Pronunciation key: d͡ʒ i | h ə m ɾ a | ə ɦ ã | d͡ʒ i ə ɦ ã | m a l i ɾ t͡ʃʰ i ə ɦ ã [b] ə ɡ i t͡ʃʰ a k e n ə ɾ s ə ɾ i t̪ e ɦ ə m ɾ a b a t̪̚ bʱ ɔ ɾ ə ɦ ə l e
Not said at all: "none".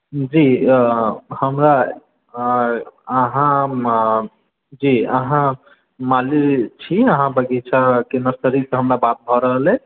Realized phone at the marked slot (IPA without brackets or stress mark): b